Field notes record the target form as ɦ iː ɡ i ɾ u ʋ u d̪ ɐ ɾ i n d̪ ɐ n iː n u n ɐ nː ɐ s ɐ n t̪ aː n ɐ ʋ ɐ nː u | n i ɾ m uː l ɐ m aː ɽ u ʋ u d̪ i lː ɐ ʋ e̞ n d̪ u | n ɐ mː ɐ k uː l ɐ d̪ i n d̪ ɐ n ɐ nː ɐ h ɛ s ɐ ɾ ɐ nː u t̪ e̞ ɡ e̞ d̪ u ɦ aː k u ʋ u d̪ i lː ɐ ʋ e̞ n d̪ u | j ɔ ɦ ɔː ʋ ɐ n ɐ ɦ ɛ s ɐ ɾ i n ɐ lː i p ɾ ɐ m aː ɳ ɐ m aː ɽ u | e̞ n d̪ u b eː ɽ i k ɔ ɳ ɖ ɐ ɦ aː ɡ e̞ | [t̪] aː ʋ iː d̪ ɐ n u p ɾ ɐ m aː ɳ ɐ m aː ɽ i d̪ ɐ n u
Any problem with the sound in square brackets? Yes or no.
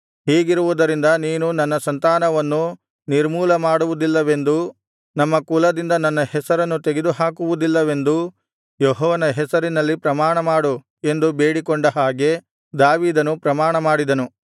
yes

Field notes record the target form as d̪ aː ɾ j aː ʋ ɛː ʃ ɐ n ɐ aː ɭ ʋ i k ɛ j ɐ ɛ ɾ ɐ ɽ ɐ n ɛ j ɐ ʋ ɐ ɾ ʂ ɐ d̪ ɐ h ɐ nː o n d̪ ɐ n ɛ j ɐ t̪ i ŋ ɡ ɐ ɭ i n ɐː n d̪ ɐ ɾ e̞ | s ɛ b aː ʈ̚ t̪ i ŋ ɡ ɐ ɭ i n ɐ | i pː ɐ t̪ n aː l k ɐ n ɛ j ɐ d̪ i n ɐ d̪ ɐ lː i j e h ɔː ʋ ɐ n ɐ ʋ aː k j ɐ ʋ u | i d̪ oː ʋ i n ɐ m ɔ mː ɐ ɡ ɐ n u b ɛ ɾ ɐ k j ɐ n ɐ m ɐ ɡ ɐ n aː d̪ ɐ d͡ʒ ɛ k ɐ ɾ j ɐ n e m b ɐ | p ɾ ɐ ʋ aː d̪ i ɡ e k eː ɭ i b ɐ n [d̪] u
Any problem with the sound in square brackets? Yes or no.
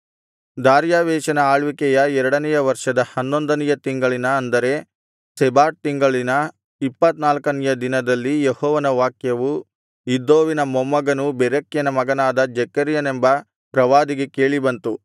yes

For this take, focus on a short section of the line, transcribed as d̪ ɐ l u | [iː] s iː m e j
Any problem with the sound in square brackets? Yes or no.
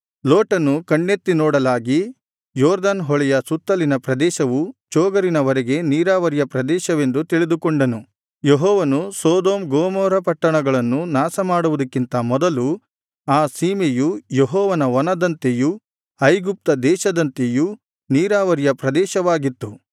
yes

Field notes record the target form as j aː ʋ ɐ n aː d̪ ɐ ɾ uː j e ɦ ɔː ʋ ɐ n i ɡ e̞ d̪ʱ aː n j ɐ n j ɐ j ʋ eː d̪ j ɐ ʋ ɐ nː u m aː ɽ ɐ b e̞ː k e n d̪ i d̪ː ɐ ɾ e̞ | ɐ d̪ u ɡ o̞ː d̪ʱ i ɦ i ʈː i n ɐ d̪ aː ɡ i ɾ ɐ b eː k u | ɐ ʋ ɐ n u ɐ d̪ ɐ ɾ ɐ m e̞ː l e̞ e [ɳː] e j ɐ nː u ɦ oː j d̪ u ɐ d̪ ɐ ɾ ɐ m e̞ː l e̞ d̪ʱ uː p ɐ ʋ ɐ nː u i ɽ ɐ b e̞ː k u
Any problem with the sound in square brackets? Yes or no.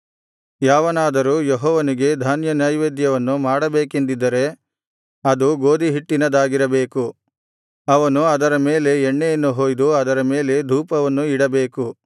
no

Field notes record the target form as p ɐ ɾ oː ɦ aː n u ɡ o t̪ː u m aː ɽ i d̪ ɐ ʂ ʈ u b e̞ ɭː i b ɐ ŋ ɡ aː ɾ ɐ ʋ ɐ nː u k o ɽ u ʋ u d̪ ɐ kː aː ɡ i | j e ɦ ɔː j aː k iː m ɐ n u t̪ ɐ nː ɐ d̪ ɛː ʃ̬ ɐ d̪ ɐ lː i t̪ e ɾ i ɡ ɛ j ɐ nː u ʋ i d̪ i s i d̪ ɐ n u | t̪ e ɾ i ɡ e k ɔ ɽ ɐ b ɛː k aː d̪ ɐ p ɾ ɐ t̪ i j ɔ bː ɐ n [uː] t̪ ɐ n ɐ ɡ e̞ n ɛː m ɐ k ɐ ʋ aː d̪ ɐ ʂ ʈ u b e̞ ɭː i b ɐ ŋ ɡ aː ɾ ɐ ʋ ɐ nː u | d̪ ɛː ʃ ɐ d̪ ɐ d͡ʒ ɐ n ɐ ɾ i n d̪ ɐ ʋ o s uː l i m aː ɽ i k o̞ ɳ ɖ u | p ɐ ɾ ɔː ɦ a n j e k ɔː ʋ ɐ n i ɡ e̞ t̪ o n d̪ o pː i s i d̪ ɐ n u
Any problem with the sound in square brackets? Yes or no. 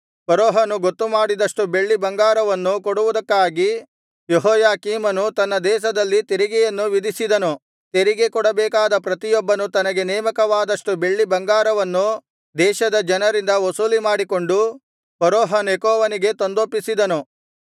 yes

